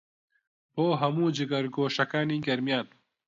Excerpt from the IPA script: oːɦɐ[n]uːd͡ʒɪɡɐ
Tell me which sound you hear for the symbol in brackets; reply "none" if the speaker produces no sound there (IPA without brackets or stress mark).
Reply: m